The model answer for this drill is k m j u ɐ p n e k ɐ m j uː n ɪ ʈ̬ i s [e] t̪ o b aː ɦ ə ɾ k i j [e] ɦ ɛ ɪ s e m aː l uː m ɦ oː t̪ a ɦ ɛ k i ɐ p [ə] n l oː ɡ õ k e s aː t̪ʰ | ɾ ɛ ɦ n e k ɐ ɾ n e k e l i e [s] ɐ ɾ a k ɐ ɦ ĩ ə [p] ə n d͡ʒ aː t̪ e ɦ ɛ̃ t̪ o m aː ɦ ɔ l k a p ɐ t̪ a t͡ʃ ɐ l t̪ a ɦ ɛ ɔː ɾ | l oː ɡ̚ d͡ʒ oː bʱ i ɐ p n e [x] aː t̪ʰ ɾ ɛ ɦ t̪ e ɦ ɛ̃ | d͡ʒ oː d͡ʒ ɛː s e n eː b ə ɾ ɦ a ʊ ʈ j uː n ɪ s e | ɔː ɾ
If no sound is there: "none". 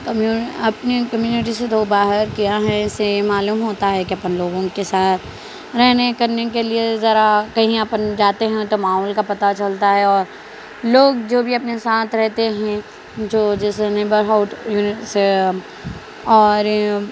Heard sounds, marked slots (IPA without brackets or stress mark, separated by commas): e, a, ə, z, p, s